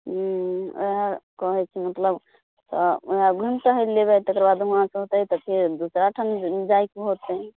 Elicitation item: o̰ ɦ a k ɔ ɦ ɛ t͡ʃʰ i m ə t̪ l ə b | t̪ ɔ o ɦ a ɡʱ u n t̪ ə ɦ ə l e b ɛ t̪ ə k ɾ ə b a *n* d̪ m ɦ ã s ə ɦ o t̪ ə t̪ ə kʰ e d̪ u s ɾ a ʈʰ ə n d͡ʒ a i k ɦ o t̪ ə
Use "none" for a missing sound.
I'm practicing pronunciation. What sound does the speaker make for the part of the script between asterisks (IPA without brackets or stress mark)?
none